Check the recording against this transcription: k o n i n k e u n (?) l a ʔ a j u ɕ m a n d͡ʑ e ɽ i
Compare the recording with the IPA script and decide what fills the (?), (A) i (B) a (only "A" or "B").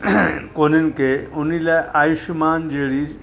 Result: A